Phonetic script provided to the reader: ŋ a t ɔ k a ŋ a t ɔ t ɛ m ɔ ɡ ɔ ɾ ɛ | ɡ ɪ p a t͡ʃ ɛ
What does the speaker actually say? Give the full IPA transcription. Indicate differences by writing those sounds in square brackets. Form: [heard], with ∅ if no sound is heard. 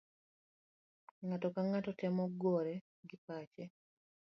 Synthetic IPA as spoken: ŋ a t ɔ k a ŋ a t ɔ t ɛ m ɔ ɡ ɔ ɾ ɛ | ɡ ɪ p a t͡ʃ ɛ